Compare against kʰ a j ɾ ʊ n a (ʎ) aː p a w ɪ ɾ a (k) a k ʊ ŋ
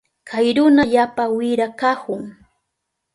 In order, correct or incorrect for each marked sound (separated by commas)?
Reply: correct, correct